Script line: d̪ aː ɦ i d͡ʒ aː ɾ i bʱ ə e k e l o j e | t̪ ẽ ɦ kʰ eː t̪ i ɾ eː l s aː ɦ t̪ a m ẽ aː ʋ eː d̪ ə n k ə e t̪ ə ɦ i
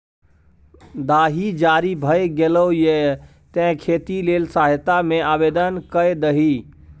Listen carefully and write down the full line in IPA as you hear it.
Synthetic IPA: d̪ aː ɦ i d͡ʒ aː ɾ i bʱ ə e ɡ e l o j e | t̪ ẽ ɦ kʰ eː t̪ i l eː l s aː ɦ t̪ a m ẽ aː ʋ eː d̪ ə n k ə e d̪ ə ɦ i